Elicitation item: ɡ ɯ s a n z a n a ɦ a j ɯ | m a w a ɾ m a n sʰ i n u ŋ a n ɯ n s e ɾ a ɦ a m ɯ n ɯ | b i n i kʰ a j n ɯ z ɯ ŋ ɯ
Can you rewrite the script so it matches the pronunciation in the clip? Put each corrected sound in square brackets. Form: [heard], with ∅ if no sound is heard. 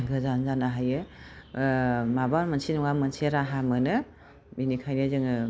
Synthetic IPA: ɡ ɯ [z] a n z a n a ɦ a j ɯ | m a [b] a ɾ m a n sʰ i n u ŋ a [m] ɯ n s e ɾ a ɦ a m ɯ n ɯ | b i n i kʰ a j n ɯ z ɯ ŋ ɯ